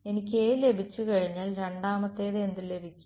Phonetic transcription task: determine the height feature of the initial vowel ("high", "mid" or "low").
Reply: mid